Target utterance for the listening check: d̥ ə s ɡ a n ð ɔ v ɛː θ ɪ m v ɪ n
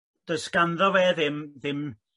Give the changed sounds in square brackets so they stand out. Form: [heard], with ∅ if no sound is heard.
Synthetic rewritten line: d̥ ə s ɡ a n ð ɔ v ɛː [ð] ɪ m [ð] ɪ [m]